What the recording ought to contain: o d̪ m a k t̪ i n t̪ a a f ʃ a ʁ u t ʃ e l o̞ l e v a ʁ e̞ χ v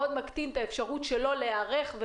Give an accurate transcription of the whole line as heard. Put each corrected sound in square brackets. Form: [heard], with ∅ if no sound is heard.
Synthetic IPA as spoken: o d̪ m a k t̪ i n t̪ a [e] f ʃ a ʁ u t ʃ e l o̞ l e [∅] a ʁ e̞ χ v

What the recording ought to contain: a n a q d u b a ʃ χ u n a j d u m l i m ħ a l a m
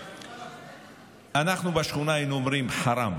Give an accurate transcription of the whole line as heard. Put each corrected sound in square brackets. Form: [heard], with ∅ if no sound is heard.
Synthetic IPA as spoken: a n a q [n] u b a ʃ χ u n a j [n] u m [ɾ] i m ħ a [ɾ] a m

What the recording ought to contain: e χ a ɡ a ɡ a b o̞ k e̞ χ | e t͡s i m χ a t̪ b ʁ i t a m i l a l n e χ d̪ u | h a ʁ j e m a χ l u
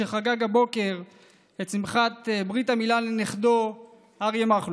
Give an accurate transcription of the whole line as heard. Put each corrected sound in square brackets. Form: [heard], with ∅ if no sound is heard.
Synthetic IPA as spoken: e χ a ɡ a ɡ a b o̞ k e̞ [ʁ] | e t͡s i m χ a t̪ b ʁ i t a m i l a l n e χ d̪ [o] | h a ʁ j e m a χ l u

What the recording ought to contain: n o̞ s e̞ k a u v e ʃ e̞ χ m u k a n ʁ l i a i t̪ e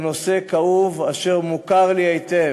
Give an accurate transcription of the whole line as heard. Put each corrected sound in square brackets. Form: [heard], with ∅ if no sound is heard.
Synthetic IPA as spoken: n o̞ s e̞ k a u v [a] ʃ e̞ [ʁ] m u k a [∅] ʁ l i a [j] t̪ e

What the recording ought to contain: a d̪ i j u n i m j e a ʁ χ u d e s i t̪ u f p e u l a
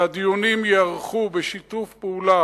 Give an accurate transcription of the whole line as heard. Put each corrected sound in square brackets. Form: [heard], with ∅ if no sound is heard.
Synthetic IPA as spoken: a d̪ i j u n i m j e a ʁ χ u [b] e [ʃ] i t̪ u f p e u l a

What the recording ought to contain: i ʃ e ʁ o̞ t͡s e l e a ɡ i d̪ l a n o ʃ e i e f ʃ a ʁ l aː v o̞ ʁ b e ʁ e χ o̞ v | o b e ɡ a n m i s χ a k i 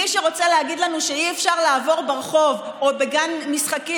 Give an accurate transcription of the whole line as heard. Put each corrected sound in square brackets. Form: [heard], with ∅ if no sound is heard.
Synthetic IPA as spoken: i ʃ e ʁ o̞ t͡s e l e a ɡ i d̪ l a n [u] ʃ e i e f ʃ a ʁ l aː v o̞ ʁ b e ʁ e χ o̞ v | o b e ɡ a n m i s χ a k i

